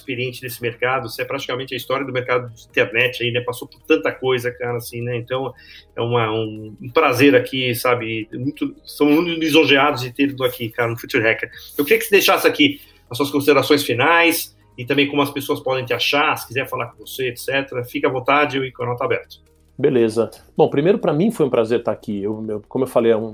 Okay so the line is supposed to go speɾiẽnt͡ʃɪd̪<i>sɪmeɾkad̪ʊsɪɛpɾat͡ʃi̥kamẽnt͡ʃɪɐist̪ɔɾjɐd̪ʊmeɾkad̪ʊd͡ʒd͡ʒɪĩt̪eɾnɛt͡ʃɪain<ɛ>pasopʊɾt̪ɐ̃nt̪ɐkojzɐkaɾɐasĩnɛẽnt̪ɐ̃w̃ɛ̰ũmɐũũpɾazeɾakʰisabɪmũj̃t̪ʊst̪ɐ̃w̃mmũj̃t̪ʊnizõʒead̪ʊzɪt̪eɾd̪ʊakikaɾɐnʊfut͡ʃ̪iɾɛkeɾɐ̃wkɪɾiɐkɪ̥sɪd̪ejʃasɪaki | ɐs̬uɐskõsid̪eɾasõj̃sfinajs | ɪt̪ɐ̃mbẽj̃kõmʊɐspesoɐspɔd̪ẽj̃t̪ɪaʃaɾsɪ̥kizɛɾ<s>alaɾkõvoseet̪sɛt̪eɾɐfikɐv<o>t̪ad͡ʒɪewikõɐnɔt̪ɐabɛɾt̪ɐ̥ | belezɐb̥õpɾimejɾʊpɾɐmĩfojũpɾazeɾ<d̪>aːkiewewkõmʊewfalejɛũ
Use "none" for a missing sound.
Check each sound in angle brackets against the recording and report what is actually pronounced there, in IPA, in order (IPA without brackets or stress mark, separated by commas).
e, ɛ, f, õ, t̪